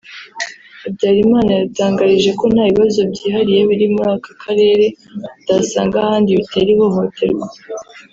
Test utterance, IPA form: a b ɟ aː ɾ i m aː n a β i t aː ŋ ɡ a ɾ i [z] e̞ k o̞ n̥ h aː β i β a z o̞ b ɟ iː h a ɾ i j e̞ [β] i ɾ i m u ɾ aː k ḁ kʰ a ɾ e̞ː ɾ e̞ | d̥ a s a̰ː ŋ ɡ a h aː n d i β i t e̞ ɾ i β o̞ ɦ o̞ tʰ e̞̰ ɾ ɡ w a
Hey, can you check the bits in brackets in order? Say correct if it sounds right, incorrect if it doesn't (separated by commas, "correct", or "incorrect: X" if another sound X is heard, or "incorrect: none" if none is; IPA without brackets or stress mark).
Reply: incorrect: ʒ, correct